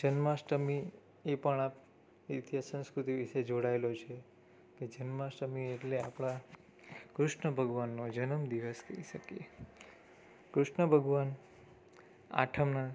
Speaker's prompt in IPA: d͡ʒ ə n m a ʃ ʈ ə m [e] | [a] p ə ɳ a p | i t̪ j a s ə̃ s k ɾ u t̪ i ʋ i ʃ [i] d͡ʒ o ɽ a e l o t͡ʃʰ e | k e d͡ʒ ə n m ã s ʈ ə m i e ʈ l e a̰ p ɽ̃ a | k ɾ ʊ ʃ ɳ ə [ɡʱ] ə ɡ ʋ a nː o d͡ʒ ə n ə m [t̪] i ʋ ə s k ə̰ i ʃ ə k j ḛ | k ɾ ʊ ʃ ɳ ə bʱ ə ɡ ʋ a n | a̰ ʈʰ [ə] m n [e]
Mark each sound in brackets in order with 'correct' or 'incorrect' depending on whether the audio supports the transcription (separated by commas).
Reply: incorrect, incorrect, incorrect, incorrect, incorrect, correct, incorrect